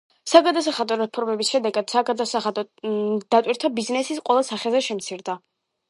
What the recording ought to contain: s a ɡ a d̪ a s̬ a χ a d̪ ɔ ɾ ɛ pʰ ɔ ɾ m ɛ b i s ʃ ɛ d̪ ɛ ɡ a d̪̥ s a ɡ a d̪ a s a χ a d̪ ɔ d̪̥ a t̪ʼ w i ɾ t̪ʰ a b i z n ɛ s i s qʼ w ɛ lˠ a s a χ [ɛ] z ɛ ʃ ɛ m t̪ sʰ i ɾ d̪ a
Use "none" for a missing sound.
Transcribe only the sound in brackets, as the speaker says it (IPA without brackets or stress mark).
ɛ